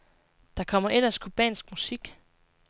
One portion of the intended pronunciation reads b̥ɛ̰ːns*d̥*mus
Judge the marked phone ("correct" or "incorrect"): incorrect